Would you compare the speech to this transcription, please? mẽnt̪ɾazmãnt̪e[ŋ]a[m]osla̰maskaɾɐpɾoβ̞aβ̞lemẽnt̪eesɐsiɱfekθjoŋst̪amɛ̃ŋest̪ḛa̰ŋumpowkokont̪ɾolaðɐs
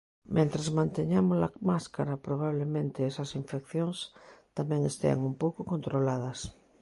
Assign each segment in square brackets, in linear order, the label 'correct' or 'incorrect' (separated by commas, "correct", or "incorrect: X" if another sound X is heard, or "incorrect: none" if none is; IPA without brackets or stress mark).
incorrect: ɲ, correct